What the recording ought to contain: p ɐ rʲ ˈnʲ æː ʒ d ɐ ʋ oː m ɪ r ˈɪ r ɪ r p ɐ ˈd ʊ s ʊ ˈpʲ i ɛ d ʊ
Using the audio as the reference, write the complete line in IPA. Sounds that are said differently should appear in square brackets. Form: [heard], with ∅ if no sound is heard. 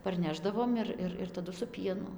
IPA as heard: p ɐ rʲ ˈnʲ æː ʒ d ɐ ʋ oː m ɪ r ˈɪ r ɪ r [t] ɐ ˈd ʊ s ʊ ˈpʲ i ɛ [n] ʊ